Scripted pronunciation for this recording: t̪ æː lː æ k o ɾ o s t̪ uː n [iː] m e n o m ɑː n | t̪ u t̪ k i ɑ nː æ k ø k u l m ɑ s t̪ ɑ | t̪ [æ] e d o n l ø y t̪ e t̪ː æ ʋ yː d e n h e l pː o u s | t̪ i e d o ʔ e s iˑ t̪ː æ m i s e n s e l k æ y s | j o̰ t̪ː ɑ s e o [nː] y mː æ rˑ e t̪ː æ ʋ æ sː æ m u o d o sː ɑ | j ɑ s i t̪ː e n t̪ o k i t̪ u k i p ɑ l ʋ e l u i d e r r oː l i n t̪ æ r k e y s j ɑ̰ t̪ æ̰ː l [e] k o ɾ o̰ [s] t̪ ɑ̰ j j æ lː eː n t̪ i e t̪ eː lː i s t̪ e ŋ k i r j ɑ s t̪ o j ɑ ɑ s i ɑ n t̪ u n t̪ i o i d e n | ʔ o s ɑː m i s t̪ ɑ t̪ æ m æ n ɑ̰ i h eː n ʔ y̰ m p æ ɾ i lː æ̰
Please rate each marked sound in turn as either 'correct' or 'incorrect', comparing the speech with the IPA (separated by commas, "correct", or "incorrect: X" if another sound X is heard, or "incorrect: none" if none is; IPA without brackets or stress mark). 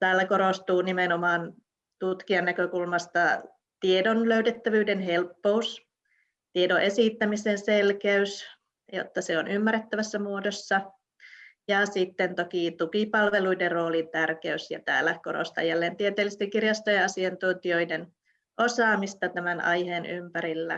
incorrect: i, incorrect: i, incorrect: n, incorrect: æ, correct